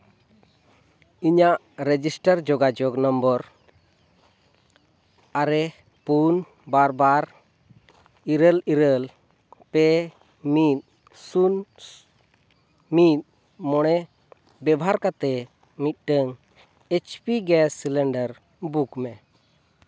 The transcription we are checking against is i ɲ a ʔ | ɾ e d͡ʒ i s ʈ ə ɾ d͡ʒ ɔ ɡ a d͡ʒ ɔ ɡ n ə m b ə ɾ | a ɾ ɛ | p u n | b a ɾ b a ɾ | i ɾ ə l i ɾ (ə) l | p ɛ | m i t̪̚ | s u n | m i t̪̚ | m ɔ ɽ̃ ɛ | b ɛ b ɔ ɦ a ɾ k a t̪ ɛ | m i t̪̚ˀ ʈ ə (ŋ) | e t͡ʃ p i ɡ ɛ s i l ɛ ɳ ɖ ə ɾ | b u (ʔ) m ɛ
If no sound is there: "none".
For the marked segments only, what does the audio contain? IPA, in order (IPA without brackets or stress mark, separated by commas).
ə, ŋ, k